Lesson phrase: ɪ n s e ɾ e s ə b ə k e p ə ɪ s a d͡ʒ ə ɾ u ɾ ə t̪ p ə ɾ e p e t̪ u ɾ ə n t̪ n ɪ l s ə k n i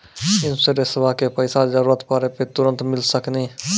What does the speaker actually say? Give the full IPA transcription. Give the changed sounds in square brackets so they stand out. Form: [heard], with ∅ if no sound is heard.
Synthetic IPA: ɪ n s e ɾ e s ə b [a] k e p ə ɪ s a d͡ʒ ə ɾ u ɾ ə t̪ p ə ɾ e p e t̪ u ɾ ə n t̪ [m] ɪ l s ə k n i